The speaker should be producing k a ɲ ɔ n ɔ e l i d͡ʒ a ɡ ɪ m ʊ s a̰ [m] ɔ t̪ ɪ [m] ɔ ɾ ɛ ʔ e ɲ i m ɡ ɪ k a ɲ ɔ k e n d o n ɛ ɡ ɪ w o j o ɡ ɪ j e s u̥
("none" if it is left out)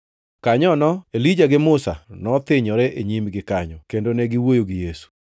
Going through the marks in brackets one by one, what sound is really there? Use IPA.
n, ɲ

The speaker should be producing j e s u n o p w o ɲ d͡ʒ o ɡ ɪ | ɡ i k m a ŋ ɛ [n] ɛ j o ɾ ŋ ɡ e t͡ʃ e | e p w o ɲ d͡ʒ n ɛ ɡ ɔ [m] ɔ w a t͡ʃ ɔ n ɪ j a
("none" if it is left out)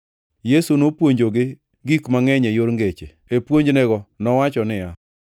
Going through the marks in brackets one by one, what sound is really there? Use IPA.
ɲ, n

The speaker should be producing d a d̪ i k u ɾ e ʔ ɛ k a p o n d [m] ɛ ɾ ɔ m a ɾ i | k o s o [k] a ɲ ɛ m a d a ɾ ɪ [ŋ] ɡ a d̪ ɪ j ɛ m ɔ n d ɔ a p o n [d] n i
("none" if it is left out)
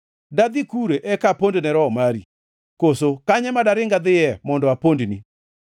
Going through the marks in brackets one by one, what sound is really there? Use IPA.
n, k, ŋ, d

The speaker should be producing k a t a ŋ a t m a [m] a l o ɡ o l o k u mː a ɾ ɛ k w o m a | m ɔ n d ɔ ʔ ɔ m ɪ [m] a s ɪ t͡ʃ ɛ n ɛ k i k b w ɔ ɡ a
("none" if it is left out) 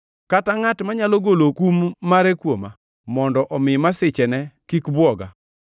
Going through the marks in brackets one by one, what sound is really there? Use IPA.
ɲ, m

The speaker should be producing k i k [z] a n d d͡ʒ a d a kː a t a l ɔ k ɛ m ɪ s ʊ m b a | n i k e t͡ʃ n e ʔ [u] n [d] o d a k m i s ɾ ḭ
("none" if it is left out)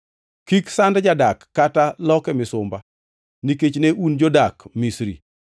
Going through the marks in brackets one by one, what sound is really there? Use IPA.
s, u, d͡ʒ

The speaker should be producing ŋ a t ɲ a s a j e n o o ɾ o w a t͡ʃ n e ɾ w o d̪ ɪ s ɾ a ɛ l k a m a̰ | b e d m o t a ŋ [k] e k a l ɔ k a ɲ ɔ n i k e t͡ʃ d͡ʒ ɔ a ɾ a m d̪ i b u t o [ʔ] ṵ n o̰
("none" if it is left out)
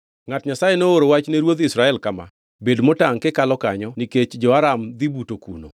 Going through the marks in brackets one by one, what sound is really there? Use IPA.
k, k

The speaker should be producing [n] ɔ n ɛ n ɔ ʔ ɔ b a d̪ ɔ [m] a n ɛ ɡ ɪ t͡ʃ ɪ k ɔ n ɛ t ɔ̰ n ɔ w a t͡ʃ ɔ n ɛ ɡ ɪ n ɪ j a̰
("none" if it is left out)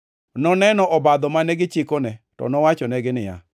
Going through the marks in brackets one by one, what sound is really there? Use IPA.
n, m

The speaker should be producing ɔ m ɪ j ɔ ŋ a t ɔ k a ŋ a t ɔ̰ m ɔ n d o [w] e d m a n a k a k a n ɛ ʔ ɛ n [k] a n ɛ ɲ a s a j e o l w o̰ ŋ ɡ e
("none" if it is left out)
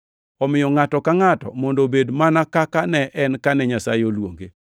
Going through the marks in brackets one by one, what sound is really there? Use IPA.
b, k

